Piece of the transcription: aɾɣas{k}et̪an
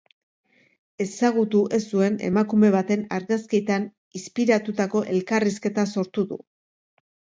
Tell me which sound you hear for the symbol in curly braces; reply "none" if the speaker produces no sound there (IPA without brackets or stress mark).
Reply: k